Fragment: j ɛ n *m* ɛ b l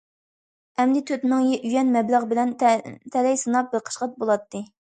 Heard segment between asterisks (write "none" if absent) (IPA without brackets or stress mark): m